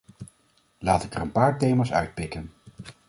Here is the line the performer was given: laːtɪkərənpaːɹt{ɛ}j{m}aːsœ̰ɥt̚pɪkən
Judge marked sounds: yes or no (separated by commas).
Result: no, yes